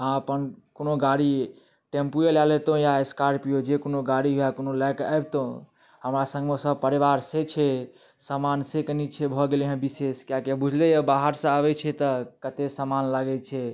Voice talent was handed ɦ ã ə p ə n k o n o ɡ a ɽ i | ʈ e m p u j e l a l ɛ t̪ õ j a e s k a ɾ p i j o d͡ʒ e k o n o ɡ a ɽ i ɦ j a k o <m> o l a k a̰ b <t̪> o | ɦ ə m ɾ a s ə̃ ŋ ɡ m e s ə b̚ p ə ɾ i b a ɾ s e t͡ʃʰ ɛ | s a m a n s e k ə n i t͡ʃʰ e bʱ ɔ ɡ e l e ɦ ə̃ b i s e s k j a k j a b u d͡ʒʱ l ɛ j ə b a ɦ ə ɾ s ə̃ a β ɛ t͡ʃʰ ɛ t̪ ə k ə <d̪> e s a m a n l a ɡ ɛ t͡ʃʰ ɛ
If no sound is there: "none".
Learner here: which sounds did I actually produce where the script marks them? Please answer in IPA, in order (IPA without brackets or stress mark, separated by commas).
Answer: n, t̪, t̪